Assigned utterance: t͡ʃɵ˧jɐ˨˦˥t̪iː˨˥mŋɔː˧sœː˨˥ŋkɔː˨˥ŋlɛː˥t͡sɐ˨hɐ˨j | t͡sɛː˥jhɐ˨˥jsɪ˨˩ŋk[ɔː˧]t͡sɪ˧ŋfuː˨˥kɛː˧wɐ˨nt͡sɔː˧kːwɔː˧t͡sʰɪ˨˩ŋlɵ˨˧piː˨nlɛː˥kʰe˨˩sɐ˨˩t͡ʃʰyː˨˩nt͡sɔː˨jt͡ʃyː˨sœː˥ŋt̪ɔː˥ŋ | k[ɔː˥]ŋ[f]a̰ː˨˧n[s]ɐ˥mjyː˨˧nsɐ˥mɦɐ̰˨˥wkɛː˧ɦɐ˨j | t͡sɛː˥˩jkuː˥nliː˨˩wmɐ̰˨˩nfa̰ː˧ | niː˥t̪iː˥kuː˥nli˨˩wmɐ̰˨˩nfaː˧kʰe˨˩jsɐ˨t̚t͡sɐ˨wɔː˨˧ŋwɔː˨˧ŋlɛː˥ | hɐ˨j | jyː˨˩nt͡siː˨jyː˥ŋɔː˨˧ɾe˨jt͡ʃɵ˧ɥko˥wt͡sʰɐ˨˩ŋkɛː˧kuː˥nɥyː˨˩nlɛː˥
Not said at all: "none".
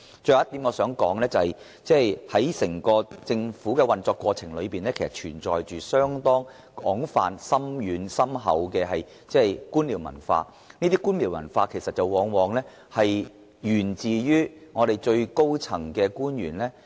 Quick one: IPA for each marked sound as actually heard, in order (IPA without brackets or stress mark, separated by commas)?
ɔː˧, ɔː˨˥, f, s